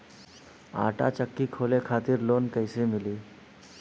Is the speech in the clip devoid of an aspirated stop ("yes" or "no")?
no